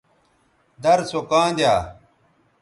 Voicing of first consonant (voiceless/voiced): voiced